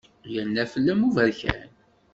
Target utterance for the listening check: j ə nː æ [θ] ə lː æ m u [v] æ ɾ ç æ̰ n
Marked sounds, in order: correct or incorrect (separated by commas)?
incorrect, correct